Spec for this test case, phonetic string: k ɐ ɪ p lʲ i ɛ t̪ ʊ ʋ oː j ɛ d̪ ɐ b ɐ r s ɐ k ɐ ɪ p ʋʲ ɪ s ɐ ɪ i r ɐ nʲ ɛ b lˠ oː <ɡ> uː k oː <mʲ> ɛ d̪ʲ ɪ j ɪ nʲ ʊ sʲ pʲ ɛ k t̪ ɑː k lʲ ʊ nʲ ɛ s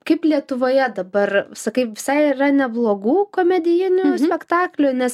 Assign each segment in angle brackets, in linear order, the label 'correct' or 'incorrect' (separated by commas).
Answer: correct, correct